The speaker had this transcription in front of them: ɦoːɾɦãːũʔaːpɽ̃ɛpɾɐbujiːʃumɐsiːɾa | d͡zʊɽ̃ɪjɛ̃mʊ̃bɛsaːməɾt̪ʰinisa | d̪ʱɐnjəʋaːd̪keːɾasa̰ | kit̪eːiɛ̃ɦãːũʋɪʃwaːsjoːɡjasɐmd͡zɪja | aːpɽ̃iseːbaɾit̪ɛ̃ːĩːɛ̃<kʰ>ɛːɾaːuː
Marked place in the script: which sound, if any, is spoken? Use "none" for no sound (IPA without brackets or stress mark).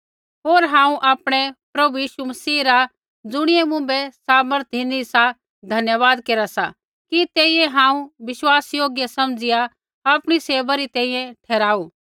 ʈʰ